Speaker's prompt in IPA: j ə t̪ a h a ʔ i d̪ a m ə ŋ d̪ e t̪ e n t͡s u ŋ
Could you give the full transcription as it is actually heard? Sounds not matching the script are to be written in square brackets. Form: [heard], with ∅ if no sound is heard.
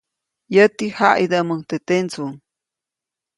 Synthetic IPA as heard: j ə t̪ [i] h a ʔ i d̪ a m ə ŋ [t̪] e t̪ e n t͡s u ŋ